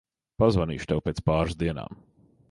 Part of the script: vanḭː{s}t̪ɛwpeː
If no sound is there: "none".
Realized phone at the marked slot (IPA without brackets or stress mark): ʃ